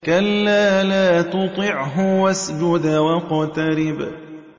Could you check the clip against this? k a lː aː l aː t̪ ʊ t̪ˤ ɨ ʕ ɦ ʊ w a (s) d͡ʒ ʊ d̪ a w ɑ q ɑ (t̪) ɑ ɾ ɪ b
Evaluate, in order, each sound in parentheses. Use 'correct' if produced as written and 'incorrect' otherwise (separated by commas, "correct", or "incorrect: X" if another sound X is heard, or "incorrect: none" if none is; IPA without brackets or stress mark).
correct, correct